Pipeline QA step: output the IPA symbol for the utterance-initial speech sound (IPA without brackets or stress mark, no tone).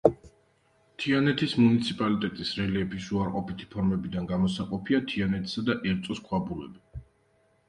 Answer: t̪ʰ